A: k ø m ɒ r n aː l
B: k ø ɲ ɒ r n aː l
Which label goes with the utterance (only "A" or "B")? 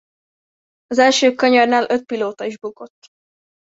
B